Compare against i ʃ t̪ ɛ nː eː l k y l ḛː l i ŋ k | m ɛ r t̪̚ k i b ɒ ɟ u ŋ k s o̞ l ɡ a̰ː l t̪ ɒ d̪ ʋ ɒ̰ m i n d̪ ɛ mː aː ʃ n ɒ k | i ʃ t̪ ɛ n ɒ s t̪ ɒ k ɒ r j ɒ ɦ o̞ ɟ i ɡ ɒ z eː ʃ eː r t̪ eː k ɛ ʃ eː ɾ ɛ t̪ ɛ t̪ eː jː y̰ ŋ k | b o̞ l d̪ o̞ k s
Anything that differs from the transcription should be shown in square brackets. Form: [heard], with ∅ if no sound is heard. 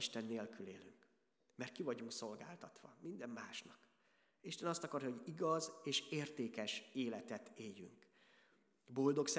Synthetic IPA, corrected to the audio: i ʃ t̪ ɛ nː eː l k y l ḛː l [y] ŋ k | m ɛ r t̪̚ k i [v] ɒ ɟ u ŋ k s o̞ l ɡ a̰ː l t̪ ɒ [t̪] ʋ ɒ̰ m i n d̪ ɛ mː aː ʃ n ɒ k | i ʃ t̪ ɛ n ɒ s t̪ ɒ k ɒ r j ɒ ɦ o̞ ɟ i ɡ ɒ z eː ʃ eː r t̪ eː k ɛ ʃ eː [l] ɛ t̪ ɛ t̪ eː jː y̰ ŋ k | b o̞ l d̪ o̞ k s